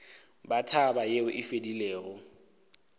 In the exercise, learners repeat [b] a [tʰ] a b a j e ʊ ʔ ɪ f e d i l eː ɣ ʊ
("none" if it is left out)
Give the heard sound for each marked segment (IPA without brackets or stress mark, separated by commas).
b, tʰ